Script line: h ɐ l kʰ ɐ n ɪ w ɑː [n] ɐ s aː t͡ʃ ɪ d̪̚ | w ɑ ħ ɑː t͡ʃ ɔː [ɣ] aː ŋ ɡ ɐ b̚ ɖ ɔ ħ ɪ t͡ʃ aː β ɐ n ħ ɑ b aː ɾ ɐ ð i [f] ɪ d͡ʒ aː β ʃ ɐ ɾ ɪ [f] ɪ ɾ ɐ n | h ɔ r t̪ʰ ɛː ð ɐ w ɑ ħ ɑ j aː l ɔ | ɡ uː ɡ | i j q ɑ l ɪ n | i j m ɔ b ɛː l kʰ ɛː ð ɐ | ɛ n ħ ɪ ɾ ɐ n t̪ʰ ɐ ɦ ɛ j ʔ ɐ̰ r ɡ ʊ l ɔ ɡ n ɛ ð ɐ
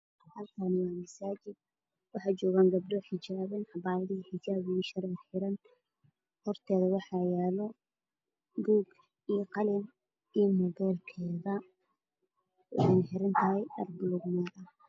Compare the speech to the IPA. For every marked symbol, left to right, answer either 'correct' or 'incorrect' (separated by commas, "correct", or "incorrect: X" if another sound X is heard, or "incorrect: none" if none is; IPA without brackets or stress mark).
incorrect: m, correct, incorrect: ħ, incorrect: ħ